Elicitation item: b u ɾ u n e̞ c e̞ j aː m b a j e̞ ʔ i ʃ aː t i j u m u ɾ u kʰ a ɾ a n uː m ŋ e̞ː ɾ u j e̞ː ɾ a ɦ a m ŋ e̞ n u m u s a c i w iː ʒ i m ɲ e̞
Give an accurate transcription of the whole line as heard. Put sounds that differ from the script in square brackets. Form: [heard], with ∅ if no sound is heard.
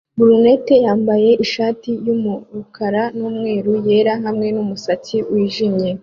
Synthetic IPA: b u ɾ u n e̞ [t] e̞ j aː m b a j e̞ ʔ i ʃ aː t i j u m u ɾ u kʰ a ɾ a n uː m ŋ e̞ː ɾ u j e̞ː ɾ a ɦ a m ŋ e̞ n u m u s a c i w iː ʒ i m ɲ e̞